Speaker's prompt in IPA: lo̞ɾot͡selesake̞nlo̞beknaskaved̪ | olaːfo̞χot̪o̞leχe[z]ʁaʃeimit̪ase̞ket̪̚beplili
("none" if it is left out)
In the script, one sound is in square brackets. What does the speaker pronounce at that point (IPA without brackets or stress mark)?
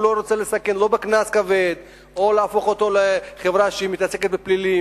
v